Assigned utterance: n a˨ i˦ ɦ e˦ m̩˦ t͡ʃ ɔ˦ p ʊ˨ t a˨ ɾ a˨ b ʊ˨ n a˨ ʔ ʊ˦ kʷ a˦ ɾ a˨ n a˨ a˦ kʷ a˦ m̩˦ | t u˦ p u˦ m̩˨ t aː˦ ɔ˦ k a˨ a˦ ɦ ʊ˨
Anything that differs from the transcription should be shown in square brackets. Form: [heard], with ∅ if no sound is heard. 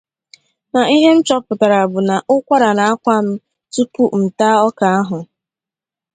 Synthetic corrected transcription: n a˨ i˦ ɦ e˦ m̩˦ t͡ʃ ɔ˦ p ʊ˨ t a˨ ɾ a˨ b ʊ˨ n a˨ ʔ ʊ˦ kʷ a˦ ɾ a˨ n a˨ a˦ kʷ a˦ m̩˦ | t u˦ p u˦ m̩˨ t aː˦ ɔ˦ k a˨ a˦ ɦ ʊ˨